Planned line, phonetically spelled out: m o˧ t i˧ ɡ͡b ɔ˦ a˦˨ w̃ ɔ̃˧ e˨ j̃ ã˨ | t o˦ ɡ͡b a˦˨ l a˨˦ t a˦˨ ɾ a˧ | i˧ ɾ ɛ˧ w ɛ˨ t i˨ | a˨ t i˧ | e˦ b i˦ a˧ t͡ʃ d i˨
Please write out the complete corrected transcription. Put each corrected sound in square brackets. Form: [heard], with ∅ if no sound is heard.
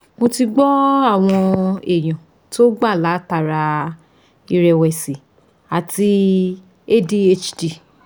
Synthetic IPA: m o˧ t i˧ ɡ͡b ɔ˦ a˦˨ w̃ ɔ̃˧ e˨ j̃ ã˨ | t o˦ ɡ͡b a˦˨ l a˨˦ t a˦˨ ɾ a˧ | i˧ ɾ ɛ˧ w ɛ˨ [s] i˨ | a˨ t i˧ | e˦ [d] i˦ [e˧] t͡ʃ d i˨